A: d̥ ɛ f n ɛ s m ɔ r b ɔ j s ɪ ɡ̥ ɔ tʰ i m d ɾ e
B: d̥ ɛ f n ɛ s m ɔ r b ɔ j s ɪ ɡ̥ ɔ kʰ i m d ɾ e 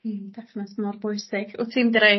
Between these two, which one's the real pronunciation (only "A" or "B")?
A